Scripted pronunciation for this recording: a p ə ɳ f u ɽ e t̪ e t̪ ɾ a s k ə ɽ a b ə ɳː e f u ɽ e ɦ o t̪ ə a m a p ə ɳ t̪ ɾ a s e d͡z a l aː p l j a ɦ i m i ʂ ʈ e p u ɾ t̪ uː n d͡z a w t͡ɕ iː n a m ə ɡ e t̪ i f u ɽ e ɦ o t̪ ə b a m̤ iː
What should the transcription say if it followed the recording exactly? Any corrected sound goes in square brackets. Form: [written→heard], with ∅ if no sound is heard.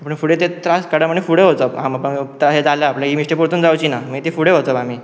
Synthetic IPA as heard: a p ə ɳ f u ɽ e t̪ e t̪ ɾ a s k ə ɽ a [b→m] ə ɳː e f u ɽ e ɦ o t̪ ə a m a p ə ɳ t̪ ɾ a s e d͡z a l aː p l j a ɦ i m i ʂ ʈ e p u ɾ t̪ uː n d͡z a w t͡ɕ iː n a m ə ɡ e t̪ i f u ɽ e ɦ o t̪ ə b a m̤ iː